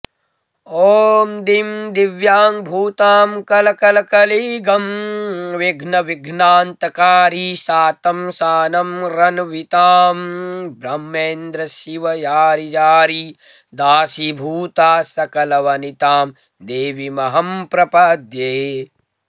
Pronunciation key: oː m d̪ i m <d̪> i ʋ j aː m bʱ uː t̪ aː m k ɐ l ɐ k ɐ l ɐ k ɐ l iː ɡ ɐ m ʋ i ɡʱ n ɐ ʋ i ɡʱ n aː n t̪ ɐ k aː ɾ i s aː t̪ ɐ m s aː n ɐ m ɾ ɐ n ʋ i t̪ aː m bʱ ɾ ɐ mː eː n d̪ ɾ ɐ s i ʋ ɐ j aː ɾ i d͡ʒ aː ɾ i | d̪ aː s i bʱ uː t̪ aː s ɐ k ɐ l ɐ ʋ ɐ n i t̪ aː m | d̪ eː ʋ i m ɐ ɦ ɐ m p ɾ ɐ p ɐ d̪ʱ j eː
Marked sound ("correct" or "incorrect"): correct